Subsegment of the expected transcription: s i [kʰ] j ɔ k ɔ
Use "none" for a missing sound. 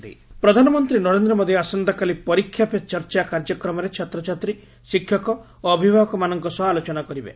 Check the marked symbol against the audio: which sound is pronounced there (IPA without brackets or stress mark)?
kʰ